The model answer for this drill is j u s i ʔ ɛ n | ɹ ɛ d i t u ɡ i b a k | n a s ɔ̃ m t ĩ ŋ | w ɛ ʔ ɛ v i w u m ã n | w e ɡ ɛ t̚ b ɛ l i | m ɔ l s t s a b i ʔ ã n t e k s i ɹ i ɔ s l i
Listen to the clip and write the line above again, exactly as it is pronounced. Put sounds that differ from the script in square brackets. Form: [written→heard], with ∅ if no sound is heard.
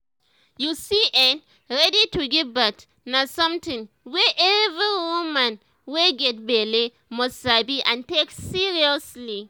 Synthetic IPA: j u s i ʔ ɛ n | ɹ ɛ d i t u ɡ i b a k | n a s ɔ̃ m t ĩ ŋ | w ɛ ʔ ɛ v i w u m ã n | w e ɡ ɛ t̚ b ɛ l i | m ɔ [l→∅] s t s a b i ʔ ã n t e k s i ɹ i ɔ s l i